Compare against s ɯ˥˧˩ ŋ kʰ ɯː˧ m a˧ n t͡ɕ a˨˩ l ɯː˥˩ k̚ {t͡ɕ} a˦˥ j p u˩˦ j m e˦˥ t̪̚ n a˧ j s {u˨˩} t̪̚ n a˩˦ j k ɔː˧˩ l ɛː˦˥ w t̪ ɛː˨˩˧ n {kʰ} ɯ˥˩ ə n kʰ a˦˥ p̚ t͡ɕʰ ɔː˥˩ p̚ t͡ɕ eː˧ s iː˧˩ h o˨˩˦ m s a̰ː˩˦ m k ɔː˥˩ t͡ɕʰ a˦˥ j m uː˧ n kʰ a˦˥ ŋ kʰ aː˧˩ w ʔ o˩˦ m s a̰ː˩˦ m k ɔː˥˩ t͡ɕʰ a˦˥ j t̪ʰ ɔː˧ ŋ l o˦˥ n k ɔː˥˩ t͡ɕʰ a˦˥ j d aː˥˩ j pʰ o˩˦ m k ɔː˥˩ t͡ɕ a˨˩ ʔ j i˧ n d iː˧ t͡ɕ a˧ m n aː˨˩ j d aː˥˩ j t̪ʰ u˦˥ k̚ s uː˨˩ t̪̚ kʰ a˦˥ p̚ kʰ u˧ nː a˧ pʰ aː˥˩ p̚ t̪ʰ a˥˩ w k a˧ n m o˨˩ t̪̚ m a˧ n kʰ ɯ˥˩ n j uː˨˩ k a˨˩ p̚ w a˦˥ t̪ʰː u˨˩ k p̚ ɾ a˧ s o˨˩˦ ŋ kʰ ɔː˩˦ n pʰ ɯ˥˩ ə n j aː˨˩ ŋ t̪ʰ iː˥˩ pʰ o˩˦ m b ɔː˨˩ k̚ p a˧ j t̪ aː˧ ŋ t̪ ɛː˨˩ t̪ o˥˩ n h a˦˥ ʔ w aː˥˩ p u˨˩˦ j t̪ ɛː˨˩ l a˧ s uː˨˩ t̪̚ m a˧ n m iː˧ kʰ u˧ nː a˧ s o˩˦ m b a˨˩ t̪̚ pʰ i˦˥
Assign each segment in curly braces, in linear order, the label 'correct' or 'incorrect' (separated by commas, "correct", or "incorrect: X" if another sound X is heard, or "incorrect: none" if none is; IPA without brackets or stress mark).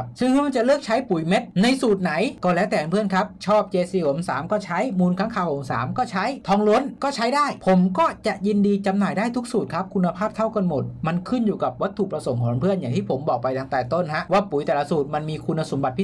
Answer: incorrect: t͡ɕʰ, incorrect: uː˨˩, incorrect: pʰ